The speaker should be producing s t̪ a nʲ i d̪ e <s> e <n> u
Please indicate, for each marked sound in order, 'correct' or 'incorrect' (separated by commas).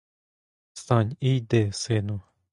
correct, correct